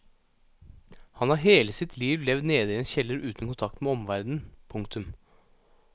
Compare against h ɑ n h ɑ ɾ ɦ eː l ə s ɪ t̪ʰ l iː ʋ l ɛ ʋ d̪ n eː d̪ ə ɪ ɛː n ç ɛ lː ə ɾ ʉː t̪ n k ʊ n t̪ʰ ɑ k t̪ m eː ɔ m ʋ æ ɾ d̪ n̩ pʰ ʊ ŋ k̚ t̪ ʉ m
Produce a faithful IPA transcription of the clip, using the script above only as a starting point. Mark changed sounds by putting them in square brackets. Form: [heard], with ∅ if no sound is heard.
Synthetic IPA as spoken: h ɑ n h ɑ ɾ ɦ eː l ə s ɪ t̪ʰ l iː ʋ l ɛ ʋ d̪ n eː d̪ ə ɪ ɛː n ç ɛ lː ə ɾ ʉː t̪ n k ʊ n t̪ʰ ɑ k t̪ m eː ɔ m ʋ æ ɾ d̪ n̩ pʰ ʊ ŋ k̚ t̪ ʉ m